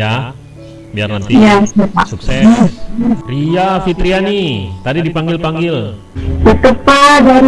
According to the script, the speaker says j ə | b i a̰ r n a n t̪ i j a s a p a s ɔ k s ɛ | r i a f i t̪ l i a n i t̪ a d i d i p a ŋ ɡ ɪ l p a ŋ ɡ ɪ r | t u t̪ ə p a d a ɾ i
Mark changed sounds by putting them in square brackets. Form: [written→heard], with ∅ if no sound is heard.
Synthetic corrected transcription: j [ə→a] | b i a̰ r n a n t̪ i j a s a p a s [ɔ→u] k s ɛ | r i a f i t̪ [l→ɾ] i a n i t̪ a d i d i p a ŋ ɡ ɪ l p a ŋ ɡ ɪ [r→l] | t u t̪ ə p a d a ɾ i